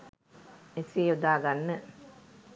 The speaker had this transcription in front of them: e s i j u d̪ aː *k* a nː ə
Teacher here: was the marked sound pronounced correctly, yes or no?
no